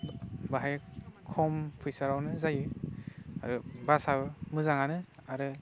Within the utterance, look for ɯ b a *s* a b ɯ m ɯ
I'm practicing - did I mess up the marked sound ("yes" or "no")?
no